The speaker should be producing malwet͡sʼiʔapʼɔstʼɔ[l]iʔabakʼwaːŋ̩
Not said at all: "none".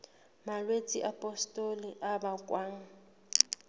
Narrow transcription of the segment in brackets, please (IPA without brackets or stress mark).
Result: l